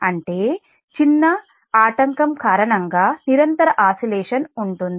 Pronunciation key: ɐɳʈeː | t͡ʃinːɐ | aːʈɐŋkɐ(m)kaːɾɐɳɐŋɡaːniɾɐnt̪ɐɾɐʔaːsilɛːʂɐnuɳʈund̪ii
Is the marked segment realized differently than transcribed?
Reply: no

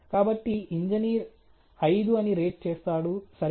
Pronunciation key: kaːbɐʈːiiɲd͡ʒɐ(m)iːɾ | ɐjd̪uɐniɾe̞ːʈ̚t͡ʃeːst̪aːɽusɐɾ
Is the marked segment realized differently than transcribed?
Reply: yes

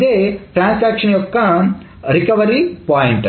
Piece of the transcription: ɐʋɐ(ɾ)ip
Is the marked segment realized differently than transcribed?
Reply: no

